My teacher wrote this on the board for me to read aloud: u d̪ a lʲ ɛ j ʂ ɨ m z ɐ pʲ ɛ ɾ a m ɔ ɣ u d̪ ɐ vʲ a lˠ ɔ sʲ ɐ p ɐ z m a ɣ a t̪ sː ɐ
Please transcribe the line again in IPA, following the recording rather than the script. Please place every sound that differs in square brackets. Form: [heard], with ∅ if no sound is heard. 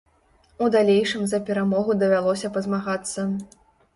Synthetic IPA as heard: u d̪ a lʲ [e] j ʂ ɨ m z ɐ pʲ ɛ ɾ a m ɔ ɣ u d̪ ɐ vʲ a lˠ ɔ sʲ ɐ p ɐ z m a ɣ a t̪ sː ɐ